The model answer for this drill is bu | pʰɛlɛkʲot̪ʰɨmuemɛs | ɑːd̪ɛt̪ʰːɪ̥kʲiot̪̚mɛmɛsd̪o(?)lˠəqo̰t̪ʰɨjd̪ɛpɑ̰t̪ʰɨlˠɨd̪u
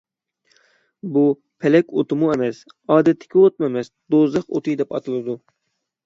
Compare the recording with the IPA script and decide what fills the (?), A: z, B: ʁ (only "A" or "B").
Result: A